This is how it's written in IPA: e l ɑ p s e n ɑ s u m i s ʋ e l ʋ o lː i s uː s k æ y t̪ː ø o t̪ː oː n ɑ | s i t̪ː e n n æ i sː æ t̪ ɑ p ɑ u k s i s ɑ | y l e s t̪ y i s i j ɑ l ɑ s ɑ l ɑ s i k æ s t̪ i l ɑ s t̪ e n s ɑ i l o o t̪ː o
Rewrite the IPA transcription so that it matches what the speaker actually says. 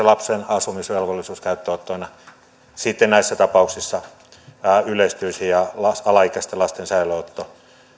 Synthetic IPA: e l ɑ p s e n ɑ s u m i s ʋ e l ʋ o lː i s uː s k æ y t̪ː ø o t̪ː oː n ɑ | s i t̪ː e n n æ i sː æ t̪ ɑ p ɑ u k s i sː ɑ | y l e s t̪ y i s i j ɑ l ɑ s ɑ l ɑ i k æ s t̪ e l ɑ s t̪ e n s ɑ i l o o t̪ː o